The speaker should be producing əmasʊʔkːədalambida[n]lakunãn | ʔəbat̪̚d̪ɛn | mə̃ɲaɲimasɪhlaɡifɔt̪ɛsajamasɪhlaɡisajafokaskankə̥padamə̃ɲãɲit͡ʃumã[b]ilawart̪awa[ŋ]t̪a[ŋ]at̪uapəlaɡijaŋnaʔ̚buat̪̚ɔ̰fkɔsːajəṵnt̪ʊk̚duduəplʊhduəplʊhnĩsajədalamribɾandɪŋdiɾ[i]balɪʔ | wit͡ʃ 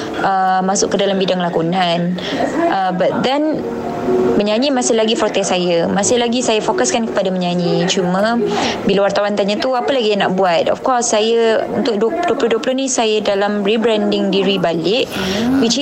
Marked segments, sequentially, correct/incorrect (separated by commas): incorrect, correct, incorrect, incorrect, correct